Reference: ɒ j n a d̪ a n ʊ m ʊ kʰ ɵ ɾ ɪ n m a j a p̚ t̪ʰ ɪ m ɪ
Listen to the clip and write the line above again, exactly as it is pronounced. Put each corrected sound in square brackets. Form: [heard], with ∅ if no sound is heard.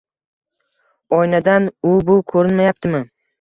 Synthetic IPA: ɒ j n a d̪ a n ʊ [b] ʊ kʰ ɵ ɾ ɪ n m a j a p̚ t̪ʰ ɪ m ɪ